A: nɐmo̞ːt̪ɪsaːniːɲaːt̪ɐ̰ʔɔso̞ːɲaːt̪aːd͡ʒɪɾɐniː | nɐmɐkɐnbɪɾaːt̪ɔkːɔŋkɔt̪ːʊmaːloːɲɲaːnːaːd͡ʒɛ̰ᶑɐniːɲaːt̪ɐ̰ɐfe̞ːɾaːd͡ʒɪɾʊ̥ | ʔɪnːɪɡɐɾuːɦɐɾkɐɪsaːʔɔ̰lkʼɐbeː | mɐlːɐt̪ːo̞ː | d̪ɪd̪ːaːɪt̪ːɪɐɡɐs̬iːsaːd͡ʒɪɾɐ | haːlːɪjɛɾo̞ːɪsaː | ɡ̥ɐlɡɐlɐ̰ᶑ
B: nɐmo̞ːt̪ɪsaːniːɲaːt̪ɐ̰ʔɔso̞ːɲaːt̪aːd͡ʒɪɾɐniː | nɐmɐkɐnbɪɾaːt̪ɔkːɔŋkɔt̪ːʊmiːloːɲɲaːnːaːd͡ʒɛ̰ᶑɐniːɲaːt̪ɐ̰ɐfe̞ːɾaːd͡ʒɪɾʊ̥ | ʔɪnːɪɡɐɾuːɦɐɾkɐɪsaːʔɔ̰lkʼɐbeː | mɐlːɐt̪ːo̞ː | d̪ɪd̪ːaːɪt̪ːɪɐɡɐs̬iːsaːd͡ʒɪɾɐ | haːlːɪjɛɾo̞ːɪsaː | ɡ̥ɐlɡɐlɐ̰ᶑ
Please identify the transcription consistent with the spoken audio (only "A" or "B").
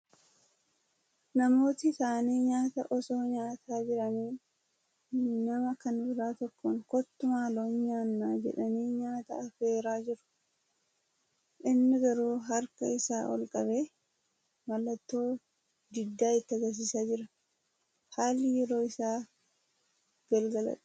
A